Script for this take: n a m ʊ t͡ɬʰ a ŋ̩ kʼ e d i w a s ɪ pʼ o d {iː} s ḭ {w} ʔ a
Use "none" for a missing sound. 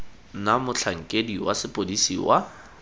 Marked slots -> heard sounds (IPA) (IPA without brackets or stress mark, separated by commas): i, w